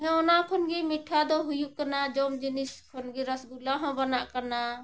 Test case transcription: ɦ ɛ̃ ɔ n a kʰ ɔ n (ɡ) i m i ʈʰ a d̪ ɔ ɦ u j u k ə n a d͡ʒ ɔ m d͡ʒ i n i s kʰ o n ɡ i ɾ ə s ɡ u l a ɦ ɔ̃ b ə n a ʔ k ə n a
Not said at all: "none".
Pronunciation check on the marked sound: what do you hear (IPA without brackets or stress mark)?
ɡ